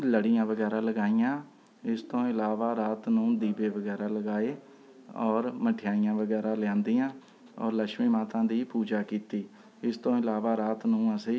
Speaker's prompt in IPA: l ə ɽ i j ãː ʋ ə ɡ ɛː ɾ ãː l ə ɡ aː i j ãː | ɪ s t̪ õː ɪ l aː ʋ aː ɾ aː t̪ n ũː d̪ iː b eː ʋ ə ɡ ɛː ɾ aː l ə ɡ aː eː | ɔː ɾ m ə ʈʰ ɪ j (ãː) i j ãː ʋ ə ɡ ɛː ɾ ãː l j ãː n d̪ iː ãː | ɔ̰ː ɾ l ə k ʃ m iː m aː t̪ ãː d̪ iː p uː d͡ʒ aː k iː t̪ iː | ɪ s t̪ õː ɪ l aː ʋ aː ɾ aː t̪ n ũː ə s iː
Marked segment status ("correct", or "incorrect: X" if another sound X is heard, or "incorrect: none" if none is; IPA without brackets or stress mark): incorrect: aː